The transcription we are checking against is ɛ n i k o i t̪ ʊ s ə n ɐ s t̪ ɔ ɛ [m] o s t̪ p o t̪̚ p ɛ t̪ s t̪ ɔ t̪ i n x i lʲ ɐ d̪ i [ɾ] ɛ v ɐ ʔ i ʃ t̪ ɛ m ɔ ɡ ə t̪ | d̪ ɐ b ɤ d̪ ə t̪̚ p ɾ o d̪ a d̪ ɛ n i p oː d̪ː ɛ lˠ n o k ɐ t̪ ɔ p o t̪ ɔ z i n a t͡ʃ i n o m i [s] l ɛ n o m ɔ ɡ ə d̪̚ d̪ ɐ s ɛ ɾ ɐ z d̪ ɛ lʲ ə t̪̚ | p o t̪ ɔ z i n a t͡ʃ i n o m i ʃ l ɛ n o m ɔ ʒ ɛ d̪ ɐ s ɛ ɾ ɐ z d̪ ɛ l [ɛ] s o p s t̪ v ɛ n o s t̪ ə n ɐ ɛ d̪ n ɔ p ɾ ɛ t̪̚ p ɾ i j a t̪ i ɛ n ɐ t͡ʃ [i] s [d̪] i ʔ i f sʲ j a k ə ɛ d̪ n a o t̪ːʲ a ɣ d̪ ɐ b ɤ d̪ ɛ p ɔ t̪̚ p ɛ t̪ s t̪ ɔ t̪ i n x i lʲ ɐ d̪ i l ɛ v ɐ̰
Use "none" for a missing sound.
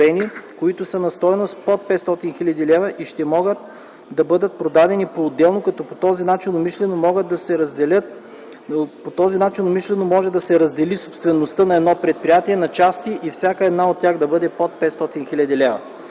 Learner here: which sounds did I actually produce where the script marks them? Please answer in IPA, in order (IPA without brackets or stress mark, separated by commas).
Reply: n, l, ʃ, i, a, t̪